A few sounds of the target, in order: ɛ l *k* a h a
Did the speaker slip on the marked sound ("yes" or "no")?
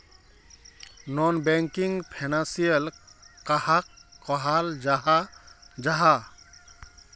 no